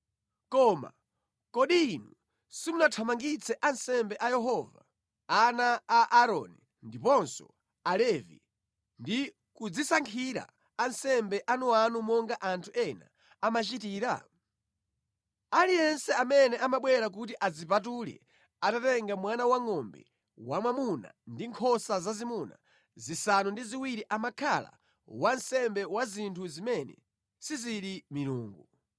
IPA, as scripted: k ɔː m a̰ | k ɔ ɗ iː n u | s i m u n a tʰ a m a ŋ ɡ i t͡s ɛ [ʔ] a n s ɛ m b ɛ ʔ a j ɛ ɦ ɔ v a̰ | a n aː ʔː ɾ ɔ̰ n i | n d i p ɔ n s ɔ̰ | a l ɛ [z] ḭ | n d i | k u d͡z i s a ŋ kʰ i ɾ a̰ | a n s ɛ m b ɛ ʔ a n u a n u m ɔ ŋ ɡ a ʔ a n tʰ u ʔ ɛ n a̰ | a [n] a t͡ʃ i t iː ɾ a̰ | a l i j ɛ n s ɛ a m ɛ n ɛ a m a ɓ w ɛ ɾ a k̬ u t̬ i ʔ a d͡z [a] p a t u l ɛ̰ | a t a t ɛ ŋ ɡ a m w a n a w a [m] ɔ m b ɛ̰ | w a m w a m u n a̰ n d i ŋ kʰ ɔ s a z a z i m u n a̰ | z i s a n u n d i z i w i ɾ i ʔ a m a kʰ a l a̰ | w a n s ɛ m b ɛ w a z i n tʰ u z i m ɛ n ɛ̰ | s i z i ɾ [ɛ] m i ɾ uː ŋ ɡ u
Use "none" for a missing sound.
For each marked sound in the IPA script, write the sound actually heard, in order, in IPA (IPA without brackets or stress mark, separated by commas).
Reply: ʔ, v, m, i, ŋ, i